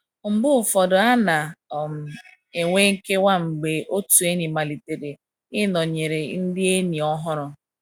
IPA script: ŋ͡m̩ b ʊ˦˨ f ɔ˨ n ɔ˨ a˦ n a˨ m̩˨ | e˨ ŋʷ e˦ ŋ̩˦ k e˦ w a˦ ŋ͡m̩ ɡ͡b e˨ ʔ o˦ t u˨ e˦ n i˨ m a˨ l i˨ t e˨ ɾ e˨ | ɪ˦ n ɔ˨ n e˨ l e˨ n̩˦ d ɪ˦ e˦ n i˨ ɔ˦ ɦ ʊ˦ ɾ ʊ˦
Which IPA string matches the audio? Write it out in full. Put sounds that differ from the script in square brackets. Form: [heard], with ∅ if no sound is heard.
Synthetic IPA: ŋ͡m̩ b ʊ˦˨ f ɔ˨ [d] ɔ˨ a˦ n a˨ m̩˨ | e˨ ŋʷ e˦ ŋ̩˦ k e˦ w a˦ ŋ͡m̩ ɡ͡b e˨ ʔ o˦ t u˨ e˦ n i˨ m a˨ l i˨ t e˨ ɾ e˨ | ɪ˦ n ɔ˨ [ɲ] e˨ [ɾ] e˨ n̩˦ d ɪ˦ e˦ n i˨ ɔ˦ ɦ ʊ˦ ɾ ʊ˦

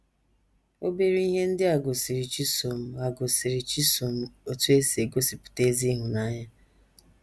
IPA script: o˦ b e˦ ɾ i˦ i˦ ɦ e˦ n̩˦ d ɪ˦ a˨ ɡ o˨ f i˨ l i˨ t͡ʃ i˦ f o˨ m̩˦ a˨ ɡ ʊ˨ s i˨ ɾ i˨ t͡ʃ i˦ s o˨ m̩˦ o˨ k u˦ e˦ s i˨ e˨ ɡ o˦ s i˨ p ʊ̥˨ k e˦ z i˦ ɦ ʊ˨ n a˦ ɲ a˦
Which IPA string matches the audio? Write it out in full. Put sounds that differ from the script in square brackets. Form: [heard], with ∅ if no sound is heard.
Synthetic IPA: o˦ b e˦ ɾ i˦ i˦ ɦ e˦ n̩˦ d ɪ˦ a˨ ɡ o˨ [s] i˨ [ɾ] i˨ t͡ʃ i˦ [s] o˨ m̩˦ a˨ ɡ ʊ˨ s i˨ ɾ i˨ t͡ʃ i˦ s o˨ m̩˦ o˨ [t] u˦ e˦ s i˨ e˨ ɡ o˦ s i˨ p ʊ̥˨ [t] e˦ z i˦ ɦ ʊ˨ n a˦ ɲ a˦

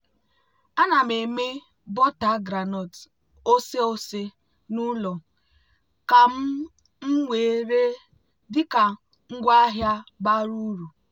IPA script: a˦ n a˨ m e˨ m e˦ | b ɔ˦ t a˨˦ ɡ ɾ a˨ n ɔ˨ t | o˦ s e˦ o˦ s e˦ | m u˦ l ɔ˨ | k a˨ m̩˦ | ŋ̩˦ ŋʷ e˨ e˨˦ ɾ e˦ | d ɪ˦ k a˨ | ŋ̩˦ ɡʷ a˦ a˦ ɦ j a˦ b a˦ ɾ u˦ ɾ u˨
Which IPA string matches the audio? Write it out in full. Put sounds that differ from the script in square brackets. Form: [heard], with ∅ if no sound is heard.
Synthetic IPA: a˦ n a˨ m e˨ m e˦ | b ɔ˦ t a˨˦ ɡ ɾ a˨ n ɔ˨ t | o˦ s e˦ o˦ s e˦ | [n] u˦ l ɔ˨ | k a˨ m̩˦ | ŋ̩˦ ŋʷ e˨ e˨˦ ɾ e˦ | d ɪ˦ k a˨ | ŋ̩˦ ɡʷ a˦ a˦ ɦ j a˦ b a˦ ɾ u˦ ɾ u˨

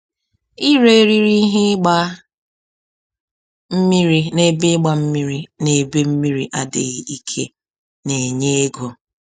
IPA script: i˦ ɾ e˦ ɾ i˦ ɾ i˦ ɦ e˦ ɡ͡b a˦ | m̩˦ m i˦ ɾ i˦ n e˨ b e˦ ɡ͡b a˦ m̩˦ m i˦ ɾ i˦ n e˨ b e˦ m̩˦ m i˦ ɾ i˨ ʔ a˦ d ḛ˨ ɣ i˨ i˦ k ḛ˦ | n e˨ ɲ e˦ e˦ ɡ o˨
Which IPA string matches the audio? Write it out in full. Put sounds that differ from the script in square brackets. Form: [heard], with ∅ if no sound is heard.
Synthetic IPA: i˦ ɾ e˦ ɾ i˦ ɾ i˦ ɦ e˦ ɡ͡b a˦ | m̩˦ m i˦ ɾ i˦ n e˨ b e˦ ɡ͡b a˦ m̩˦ m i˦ ɾ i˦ n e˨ b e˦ m̩˦ m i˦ ɾ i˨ ʔ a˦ d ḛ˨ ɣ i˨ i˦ [kʰ] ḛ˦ | n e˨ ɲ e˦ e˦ ɡ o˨

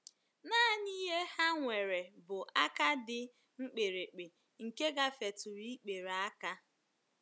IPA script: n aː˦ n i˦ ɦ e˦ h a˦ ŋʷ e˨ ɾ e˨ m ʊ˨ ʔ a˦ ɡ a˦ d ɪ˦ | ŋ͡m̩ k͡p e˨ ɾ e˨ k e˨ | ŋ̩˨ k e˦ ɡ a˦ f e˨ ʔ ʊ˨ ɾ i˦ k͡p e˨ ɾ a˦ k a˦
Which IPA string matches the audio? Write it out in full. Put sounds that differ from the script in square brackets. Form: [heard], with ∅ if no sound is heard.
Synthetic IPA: n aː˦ n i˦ ɦ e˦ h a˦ ŋʷ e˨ ɾ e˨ [b] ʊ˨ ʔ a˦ [k] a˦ d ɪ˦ | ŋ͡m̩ k͡p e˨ ɾ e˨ [k͡p] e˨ | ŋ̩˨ k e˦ ɡ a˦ f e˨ [t] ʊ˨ ɾ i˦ k͡p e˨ ɾ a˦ k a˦

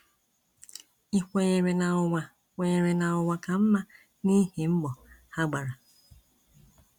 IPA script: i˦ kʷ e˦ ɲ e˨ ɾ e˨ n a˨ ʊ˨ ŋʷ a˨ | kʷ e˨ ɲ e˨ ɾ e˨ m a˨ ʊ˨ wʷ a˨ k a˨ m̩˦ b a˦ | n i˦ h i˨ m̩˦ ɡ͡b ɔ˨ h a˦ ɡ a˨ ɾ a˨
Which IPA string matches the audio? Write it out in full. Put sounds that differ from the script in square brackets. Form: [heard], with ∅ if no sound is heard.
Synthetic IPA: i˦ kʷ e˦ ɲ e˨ ɾ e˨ n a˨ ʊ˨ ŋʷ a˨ | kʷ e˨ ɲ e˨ ɾ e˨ [n] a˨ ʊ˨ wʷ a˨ k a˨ m̩˦ [m] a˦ | n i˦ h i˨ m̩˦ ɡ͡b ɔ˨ h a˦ [ɡ͡b] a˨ ɾ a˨

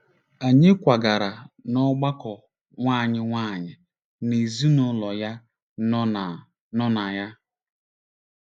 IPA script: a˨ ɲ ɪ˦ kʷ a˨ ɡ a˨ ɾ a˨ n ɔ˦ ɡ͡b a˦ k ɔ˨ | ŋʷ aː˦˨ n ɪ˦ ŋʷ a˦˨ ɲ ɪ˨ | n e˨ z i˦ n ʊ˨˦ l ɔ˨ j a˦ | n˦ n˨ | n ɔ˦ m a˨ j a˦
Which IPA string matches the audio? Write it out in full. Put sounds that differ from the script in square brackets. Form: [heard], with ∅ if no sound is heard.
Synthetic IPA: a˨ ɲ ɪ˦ kʷ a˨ ɡ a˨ ɾ a˨ n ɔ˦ ɡ͡b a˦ k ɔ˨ | ŋʷ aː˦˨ [ɲ] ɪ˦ ŋʷ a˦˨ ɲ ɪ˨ | n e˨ z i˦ n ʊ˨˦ l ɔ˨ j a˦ | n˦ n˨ | n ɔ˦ [n] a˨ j a˦

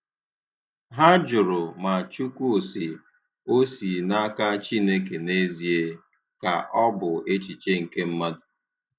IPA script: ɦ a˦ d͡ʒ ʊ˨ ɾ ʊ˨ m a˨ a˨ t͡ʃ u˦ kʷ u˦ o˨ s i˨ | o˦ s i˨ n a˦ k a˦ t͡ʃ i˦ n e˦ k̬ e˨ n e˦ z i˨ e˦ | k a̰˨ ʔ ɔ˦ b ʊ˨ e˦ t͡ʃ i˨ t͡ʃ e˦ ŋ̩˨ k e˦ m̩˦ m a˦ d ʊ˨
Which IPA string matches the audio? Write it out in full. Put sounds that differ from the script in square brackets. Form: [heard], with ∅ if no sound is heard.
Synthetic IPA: ɦ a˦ d͡ʒ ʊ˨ ɾ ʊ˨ m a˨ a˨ t͡ʃ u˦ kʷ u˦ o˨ s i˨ | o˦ s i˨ n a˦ k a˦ t͡ʃ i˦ n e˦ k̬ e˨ n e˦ z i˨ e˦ | k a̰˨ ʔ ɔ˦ b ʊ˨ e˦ t͡ʃ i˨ t͡ʃ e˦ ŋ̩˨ k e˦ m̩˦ m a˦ d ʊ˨

